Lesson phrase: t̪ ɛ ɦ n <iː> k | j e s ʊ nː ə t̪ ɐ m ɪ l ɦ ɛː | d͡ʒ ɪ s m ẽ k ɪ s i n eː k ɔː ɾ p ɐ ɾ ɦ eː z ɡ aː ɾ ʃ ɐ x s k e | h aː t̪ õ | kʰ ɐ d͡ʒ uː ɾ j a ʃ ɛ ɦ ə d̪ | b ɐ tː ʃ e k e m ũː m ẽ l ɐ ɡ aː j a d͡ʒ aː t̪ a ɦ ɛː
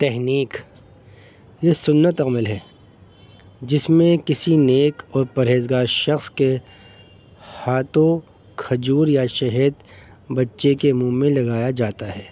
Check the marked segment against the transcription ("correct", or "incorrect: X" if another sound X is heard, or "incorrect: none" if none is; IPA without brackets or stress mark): correct